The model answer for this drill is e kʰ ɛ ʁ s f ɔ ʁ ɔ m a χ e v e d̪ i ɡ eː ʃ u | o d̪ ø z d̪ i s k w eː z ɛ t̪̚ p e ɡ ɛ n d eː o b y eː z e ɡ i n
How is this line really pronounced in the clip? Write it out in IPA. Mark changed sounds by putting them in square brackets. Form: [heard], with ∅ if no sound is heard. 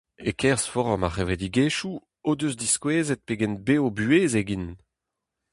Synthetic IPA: e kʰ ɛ ʁ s f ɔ ʁ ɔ m a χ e v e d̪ i ɡ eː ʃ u | o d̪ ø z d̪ i s k w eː z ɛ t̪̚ p e ɡ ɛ n [b] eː o b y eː z e ɡ i n